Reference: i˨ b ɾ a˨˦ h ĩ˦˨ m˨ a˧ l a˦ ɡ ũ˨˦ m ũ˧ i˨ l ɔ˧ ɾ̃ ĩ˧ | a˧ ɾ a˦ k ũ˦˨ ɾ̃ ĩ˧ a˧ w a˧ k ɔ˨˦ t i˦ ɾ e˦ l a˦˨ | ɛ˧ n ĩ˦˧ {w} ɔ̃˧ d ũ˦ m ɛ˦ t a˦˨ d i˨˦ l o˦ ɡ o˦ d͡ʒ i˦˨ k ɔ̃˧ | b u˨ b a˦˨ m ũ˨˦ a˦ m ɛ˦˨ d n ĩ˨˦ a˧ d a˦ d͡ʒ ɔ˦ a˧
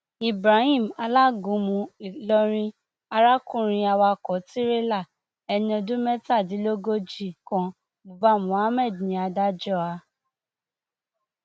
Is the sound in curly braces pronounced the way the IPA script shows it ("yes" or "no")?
no